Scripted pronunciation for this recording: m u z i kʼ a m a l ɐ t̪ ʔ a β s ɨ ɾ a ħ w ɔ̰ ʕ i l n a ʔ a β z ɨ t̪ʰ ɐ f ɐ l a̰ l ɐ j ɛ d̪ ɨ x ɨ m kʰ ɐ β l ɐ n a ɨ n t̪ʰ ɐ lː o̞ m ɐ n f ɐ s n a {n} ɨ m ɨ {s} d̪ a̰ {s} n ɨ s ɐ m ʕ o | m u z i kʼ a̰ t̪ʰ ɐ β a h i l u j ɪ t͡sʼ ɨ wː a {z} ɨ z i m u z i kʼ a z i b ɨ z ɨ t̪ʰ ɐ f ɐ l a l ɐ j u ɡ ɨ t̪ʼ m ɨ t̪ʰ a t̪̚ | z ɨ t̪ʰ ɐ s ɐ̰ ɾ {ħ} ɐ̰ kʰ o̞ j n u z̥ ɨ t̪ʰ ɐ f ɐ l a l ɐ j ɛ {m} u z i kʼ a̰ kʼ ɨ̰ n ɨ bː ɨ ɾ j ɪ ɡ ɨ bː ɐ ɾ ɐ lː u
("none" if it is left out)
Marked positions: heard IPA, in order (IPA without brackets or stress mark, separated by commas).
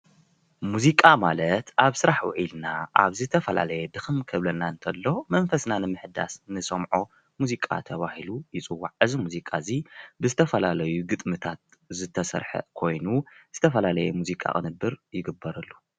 n, ħ, s, ʕ, ħ, m